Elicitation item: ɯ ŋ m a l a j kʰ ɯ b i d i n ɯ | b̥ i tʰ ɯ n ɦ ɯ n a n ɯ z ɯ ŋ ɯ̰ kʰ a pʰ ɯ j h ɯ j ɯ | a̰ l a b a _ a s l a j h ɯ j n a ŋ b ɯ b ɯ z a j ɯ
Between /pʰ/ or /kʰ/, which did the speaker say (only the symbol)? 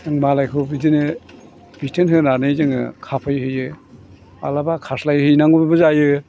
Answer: kʰ